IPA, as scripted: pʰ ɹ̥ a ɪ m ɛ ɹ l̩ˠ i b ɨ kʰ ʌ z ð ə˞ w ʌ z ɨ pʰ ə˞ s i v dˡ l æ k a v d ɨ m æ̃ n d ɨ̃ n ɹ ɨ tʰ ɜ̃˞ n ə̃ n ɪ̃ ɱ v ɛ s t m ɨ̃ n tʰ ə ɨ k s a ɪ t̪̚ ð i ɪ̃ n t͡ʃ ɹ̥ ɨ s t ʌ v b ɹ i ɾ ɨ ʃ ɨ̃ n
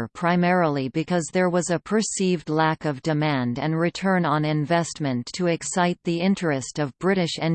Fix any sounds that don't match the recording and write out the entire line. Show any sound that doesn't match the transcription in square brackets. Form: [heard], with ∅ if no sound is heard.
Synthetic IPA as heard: pʰ ɹ̥ a ɪ m ɛ ɹ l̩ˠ i b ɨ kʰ ʌ z ð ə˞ w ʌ z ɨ pʰ ə˞ s i v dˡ l æ k [ʌ] v d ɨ m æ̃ n d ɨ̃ n ɹ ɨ tʰ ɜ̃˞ n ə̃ n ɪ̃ ɱ v ɛ s t m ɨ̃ n tʰ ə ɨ k s a ɪ t̪̚ ð i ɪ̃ n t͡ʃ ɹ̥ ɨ s t ʌ v b ɹ [ɪ] ɾ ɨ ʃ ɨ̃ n